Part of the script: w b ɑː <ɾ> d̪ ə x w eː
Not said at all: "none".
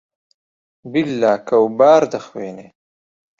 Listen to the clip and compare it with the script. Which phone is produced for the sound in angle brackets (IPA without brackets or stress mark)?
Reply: ɾ